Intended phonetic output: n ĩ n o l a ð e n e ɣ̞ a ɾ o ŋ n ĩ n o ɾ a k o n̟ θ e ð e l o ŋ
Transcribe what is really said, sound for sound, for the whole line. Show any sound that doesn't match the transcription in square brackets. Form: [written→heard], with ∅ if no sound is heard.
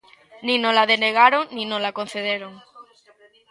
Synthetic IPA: n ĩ n o l a ð e n e ɣ̞ a ɾ o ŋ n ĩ n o [ɾ→l] a k o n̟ θ e ð e [l→ɾ] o ŋ